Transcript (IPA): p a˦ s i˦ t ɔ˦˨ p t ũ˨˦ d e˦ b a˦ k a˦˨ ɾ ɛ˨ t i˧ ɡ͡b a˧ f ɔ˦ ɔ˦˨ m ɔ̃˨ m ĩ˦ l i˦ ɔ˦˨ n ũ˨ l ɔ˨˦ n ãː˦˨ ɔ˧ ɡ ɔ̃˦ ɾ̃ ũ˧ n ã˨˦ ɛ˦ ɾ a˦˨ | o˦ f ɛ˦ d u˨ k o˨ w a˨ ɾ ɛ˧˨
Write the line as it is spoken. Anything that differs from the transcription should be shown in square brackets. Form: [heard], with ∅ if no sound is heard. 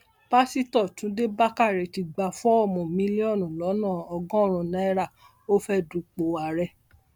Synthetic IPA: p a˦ s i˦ t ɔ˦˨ [∅] t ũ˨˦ d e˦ b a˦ k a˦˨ ɾ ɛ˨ t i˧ ɡ͡b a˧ f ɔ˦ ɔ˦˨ m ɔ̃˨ m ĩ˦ l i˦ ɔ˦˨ n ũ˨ l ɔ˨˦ n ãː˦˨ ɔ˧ ɡ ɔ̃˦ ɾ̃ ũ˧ n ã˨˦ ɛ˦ ɾ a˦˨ | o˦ f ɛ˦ d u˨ [k͡p] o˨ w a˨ ɾ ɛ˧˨